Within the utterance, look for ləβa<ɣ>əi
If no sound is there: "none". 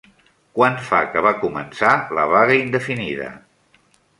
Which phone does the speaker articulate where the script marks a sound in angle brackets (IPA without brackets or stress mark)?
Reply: ɣ